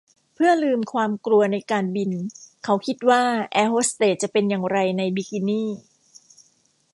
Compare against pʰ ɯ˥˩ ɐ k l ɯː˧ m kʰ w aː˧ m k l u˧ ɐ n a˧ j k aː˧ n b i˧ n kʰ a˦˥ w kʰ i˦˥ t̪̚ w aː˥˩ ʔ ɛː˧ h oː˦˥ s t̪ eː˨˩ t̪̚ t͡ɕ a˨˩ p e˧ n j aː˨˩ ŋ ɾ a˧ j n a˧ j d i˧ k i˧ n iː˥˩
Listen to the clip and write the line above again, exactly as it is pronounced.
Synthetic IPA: pʰ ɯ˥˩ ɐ l ɯː˧ m kʰ w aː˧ m k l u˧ ɐ n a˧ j k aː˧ n b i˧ n kʰ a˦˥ w kʰ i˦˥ t̪̚ w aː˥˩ ʔ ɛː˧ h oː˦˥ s t̪ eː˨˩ t̪̚ t͡ɕ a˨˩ p e˧ n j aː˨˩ ŋ ɾ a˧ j n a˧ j b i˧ k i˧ n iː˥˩